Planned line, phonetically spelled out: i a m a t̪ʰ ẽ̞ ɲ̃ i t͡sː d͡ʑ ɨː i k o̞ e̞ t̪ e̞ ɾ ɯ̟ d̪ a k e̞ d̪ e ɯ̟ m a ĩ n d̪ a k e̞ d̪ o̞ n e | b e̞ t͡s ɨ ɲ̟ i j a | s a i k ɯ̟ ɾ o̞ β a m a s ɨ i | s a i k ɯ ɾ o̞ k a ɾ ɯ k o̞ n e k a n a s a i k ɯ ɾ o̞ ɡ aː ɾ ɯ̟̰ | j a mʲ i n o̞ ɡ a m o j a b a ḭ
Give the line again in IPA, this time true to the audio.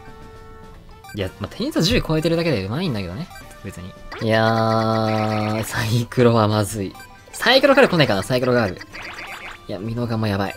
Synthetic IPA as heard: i a m a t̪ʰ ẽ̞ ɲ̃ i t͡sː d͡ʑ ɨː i k o̞ e̞ t̪ e̞ ɾ ɯ̟ d̪ a k e̞ d̪ e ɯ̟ m a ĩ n d̪ a k e̞ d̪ o̞ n e | b e̞ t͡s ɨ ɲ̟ i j a | s a i k ɯ̟ ɾ o̞ β a m a z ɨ i | s a i k ɯ ɾ o̞ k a ɾ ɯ k o̞ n e k a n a s a i k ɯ ɾ o̞ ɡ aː ɾ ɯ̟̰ | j a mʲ i n o̞ ɡ a m o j a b a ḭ